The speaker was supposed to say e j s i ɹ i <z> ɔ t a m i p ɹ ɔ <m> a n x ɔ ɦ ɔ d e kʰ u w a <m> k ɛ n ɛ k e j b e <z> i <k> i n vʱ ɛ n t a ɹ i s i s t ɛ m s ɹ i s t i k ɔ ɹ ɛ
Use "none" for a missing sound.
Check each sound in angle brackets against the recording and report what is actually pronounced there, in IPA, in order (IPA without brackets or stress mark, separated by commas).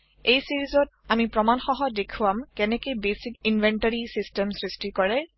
z, m, m, s, k